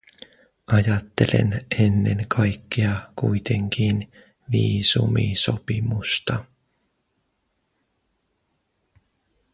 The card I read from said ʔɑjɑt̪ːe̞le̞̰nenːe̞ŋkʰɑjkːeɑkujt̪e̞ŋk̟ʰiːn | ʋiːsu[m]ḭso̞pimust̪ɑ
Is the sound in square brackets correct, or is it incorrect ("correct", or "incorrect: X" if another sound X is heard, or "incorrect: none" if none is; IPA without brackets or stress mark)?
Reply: correct